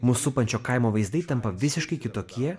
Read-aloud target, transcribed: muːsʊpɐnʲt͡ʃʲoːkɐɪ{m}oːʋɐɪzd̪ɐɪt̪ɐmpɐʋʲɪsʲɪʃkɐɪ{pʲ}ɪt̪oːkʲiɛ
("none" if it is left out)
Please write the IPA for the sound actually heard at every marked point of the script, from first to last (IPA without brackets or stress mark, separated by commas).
m, kʲ